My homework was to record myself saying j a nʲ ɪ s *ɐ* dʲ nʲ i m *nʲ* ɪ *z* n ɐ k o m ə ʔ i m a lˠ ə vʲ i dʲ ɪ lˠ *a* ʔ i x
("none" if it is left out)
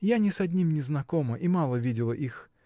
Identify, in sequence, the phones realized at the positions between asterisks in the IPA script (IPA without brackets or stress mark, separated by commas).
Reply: ɐ, nʲ, z, ə